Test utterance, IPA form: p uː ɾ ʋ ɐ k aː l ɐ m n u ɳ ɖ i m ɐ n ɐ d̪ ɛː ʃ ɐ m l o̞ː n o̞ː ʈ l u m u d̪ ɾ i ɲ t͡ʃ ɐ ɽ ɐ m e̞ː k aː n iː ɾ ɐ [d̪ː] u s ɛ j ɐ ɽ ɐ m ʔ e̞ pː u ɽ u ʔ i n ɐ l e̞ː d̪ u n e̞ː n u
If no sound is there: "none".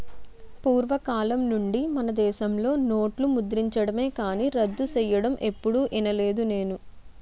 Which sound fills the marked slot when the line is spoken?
d̪ː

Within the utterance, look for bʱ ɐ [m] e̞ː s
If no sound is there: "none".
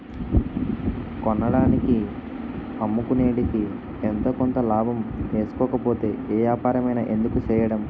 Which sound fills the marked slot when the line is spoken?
m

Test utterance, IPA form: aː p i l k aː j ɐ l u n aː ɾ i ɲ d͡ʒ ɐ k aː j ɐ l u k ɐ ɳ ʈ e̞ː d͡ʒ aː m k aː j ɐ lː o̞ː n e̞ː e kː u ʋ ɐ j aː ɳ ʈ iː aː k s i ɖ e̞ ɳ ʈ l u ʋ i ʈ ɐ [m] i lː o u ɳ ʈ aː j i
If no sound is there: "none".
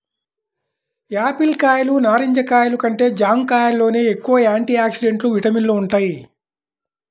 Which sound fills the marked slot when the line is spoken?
m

